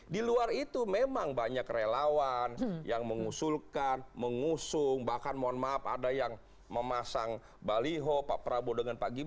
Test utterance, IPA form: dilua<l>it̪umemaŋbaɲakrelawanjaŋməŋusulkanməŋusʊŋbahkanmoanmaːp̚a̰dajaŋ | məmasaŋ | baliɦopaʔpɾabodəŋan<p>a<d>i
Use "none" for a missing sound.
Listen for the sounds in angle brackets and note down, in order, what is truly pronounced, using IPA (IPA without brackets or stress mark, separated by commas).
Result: r, p, ɡ